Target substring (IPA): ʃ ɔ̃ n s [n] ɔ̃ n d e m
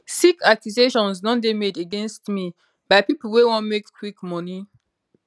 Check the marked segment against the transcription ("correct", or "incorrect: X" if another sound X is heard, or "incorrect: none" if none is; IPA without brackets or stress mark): correct